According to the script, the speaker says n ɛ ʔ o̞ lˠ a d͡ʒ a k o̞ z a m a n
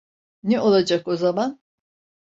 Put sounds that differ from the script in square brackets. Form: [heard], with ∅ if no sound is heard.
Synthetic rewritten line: n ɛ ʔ o̞ lˠ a d͡ʒ a k o̞ z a m a n

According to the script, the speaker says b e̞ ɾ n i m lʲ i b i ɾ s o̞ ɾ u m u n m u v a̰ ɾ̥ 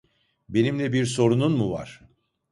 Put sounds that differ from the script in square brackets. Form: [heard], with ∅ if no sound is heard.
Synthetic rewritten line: b e̞ [∅] n i m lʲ [ɛ] b i ɾ s o̞ ɾ u [n] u n m u v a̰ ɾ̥

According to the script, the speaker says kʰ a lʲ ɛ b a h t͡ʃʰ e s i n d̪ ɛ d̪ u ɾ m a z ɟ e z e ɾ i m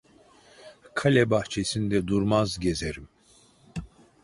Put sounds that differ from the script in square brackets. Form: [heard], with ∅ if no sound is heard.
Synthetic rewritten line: kʰ a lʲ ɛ b a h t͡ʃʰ e s i n d̪ ɛ d̪ u ɾ m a z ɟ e z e ɾ i m

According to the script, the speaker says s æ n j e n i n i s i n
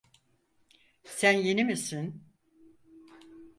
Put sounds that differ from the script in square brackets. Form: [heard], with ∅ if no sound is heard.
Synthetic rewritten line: s æ n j e n i [m] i s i n

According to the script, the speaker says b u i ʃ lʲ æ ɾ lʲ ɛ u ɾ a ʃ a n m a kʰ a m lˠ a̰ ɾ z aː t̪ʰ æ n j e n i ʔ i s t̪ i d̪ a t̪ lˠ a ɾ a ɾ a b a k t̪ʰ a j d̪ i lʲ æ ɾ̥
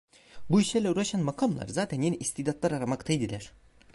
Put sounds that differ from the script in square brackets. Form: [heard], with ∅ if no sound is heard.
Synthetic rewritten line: b u i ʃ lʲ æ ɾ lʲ ɛ u ɾ a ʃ a n m a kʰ a m lˠ a̰ ɾ z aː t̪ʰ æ n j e n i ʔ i s t̪ i d̪ a t̪ lˠ a ɾ a ɾ a [m] a k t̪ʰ a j d̪ i lʲ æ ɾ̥

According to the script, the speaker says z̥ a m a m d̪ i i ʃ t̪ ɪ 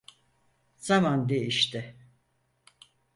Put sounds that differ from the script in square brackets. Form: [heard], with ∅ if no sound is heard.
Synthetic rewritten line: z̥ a m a [n] d̪ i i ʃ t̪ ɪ

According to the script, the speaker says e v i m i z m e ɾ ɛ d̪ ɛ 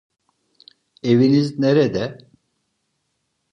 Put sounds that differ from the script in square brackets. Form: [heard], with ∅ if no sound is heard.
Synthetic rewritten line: e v i [n] i z [n] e ɾ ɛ d̪ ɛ

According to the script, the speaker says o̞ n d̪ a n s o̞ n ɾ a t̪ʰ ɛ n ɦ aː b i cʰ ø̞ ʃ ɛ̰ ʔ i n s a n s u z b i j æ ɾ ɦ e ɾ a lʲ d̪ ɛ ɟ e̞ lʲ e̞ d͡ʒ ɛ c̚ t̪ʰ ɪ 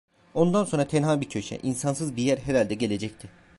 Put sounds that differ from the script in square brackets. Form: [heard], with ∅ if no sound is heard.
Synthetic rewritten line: o̞ n d̪ a n s o̞ n ɾ a t̪ʰ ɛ n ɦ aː b i cʰ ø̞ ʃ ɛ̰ ʔ i n s a n s [ɯ] z b i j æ ɾ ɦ e ɾ a lʲ d̪ ɛ ɟ e̞ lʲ e̞ d͡ʒ ɛ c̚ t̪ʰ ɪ

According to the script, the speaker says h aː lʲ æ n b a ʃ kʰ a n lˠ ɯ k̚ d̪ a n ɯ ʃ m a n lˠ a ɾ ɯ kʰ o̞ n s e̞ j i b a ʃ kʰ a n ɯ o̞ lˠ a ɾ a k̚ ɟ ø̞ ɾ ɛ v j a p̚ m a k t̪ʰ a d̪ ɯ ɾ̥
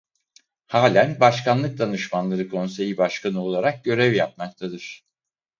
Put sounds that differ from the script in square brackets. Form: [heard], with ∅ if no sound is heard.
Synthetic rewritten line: h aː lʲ æ n b a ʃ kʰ a n lˠ ɯ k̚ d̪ a n ɯ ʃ m a n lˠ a ɾ ɯ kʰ o̞ n s e̞ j i b a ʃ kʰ a n ɯ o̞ lˠ a ɾ a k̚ ɟ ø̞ ɾ ɛ v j a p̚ m a k t̪ʰ a d̪ ɯ ɾ̥

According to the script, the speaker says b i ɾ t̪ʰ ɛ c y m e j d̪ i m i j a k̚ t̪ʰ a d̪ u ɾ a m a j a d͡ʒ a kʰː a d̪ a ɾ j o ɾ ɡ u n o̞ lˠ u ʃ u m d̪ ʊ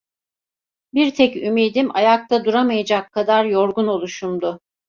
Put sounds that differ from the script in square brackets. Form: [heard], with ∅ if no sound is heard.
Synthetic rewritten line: b i ɾ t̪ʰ ɛ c y m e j d̪ i m [a] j a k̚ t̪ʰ a d̪ u ɾ a m a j a d͡ʒ a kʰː a d̪ a ɾ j o ɾ ɡ u n o̞ lˠ u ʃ u m d̪ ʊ

